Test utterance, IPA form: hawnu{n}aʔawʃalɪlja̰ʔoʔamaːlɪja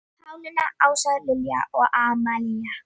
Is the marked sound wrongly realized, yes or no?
no